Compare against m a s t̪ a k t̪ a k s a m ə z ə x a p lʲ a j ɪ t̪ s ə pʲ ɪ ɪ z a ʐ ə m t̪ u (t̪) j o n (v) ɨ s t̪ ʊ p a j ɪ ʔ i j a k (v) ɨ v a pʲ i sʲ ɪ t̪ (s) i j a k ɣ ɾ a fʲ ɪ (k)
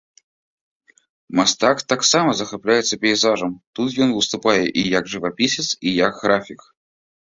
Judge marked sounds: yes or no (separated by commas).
yes, yes, no, yes, yes